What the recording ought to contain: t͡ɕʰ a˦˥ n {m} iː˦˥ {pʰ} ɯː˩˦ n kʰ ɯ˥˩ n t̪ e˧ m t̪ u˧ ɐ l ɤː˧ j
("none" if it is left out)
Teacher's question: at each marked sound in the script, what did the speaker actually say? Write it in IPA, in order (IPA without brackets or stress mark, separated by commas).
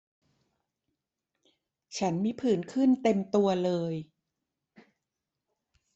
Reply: m, pʰ